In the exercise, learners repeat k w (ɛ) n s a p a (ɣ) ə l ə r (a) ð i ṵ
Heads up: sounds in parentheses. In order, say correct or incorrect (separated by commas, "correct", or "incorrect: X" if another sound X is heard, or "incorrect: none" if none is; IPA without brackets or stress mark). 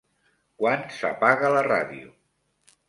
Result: incorrect: a, correct, correct